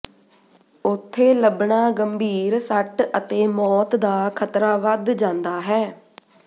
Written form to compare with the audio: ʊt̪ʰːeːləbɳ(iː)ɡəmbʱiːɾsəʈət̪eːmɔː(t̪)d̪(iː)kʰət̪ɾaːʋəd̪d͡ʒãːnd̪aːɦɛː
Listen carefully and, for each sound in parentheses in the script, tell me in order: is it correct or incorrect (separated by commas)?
incorrect, correct, incorrect